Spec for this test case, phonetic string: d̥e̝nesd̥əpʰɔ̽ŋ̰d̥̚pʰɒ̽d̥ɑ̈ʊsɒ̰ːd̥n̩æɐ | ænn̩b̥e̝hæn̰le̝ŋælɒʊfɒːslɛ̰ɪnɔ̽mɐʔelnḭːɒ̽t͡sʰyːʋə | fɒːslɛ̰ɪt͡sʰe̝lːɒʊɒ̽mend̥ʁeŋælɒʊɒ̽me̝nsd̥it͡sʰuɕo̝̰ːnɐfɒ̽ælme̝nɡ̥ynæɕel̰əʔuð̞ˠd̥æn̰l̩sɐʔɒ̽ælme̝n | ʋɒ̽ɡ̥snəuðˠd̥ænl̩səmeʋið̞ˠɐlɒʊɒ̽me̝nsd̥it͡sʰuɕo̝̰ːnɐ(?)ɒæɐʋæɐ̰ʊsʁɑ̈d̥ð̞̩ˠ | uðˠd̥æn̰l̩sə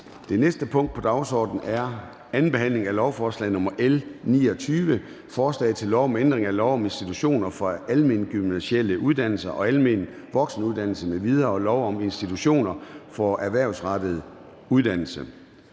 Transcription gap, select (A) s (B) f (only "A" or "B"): B